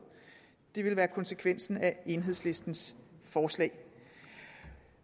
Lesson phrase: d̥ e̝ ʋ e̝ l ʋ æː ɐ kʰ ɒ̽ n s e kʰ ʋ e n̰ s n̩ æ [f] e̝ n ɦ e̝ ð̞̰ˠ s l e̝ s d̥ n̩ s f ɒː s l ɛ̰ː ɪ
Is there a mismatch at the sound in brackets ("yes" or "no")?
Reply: yes